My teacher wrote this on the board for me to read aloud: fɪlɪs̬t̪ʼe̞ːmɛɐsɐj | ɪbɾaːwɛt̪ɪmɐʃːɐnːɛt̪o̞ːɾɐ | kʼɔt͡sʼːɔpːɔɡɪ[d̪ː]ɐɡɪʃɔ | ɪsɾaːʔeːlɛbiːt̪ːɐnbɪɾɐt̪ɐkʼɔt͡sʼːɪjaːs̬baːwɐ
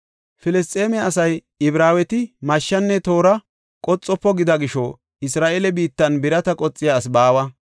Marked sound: incorrect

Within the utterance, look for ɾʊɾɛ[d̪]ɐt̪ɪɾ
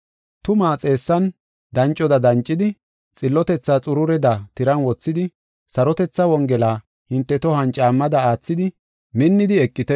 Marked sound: correct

